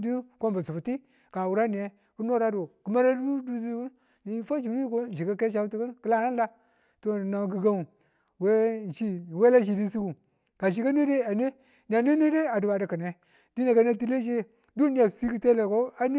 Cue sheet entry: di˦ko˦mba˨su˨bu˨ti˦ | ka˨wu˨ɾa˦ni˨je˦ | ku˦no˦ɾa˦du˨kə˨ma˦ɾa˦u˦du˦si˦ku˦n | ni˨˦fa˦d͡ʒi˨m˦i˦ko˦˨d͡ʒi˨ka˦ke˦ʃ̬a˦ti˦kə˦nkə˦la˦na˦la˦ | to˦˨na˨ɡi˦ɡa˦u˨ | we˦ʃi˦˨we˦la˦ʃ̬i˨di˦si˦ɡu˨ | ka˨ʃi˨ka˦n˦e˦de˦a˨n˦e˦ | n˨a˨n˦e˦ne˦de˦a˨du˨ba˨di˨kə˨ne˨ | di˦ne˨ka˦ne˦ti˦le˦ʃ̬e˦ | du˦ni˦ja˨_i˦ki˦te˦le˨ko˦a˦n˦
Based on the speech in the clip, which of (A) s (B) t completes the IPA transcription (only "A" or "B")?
A